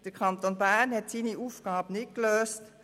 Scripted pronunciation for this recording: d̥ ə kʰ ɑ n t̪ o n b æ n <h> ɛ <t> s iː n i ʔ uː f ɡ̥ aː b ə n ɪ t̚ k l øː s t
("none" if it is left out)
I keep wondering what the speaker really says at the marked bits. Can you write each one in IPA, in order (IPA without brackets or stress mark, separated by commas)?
h, t